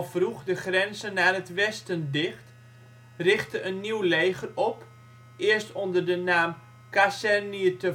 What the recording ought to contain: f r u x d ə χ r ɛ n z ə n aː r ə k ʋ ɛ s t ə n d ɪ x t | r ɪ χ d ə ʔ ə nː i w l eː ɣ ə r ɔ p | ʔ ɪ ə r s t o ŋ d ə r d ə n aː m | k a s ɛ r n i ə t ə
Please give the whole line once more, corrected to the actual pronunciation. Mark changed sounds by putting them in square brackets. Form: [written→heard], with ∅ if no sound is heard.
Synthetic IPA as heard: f r u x d ə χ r ɛ n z ə n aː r ə [k→t] ʋ ɛ s t ə n d ɪ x t | r ɪ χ [d→t] ə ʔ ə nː i w l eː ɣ ə r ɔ p | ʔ ɪ ə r s t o [ŋ→n] d ə r d ə n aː m | k a s ɛ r n i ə t ə